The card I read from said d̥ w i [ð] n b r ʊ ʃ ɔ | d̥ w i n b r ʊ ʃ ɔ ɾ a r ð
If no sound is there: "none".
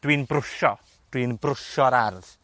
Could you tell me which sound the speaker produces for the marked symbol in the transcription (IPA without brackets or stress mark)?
none